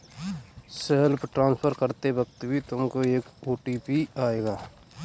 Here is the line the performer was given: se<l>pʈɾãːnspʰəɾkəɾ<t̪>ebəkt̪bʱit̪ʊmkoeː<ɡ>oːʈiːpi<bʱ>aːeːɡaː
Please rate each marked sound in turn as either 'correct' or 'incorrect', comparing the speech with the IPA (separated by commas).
correct, correct, incorrect, incorrect